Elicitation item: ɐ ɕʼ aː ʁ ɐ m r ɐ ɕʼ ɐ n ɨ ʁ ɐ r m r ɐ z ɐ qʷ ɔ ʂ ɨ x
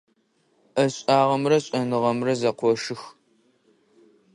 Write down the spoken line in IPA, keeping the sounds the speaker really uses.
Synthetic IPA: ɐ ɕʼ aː ʁ ɐ m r ɐ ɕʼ ɐ n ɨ ʁ ɐ m r ɐ z ɐ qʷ ɔ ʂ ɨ x

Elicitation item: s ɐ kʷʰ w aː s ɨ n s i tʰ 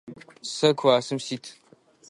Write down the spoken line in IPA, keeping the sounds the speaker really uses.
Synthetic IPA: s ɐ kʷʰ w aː s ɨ m s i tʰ

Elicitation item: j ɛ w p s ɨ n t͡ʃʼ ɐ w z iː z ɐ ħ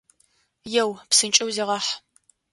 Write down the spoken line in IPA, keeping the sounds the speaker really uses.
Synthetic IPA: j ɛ w p s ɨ n t͡ʃʼ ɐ w z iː ʁ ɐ ħ

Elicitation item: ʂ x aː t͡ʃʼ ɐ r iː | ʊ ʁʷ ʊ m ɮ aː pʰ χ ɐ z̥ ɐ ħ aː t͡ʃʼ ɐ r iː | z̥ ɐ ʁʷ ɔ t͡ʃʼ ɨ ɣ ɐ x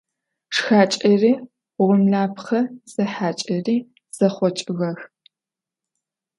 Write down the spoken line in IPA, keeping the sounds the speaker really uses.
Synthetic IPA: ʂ x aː t͡ʃʼ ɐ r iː | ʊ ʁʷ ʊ m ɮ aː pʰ χ ɐ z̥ ɐ ħ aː t͡ʃʼ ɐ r iː | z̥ ɐ χʷ ɔ t͡ʃʼ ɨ ɣ ɐ x

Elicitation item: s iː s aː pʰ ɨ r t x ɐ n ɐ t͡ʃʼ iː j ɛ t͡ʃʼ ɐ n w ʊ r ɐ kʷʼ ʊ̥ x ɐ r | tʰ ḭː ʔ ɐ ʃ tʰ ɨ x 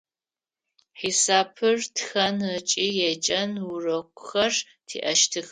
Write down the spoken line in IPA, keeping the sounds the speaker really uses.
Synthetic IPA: ħ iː s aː pʰ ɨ r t x ɐ n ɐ t͡ʃʼ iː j ɛ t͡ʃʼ ɐ n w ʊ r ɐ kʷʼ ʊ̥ x ɐ r | tʰ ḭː ʔ ɐ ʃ tʰ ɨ x

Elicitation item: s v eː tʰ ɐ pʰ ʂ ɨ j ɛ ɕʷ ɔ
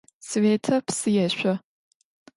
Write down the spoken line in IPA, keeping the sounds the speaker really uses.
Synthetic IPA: s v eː tʰ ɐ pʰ s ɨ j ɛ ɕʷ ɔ

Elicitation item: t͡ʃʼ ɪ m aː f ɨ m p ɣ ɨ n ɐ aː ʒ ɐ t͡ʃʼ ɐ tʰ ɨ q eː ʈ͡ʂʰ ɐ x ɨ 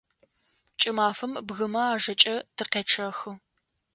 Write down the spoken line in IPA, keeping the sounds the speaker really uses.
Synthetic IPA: t͡ʃʼ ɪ m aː f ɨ m b ɣ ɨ m ɐ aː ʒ ɐ t͡ʃʼ ɐ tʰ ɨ q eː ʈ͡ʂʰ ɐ x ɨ

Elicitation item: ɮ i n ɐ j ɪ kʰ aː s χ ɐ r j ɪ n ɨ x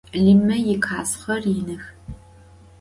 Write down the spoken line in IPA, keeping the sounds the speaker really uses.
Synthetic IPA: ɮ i m ɐ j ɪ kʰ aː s χ ɐ r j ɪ n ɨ x

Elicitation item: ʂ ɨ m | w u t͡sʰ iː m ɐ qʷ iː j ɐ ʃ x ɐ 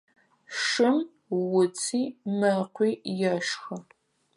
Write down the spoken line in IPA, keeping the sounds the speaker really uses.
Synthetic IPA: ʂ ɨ m | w ʊ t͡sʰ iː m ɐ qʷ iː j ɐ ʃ x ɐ

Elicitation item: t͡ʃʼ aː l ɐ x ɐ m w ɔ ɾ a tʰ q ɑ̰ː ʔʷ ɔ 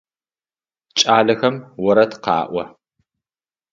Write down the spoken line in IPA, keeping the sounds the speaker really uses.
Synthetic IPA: t͡ʃʼ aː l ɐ x ɐ m w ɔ ɾ ɐ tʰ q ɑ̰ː ʔʷ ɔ

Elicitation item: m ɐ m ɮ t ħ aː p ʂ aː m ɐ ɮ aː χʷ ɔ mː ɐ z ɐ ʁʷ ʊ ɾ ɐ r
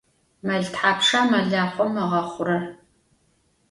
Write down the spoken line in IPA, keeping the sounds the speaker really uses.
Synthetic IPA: m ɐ ɮ t ħ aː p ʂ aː m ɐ ɮ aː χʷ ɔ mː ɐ ʁ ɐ χʷ ʊ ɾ ɐ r

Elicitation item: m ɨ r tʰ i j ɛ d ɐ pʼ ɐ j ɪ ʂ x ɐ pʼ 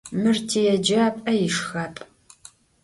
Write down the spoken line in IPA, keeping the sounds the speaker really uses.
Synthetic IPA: m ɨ r tʰ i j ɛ d͡ʒ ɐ pʼ ɐ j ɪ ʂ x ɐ pʼ

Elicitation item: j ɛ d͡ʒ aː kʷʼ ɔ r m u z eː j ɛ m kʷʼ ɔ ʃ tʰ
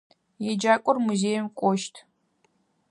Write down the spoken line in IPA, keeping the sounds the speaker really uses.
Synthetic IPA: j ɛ d͡ʒ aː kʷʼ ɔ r m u z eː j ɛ m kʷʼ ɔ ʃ tʰ

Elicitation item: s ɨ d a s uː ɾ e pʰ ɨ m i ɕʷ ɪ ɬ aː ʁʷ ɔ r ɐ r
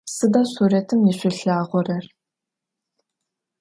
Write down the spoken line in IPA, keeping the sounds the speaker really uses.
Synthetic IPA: s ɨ d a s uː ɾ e tʰ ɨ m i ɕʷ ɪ ɬ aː ʁʷ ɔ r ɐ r

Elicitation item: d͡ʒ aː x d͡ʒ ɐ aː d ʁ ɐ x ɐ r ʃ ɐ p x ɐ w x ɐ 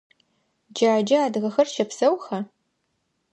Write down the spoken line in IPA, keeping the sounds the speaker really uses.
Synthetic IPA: d͡ʒ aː d͡ʒ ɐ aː d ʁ ɐ x ɐ r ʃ ɐ p s ɐ w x ɐ

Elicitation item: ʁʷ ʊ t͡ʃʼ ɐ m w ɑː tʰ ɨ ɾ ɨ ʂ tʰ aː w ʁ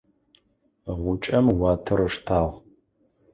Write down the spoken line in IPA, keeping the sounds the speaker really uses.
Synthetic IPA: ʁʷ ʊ t͡ʃʼ ɐ m w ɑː tʰ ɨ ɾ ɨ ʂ tʰ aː ʁ

